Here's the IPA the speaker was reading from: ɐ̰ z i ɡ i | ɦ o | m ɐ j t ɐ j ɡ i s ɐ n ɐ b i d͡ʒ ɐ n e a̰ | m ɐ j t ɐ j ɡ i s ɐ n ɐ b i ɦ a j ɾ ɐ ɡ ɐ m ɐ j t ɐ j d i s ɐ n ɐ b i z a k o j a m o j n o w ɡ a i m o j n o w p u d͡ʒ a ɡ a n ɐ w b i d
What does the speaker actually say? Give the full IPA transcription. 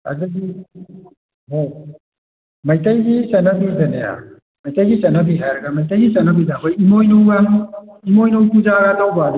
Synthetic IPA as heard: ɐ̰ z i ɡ i | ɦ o | m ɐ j t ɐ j ɡ i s ɐ n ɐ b i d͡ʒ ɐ n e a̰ | m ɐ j t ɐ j ɡ i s ɐ n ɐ b i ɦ a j ɾ ɐ ɡ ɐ m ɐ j t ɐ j ɡ i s ɐ n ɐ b i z a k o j i m o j n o w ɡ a i m o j n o w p u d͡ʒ a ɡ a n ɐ w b a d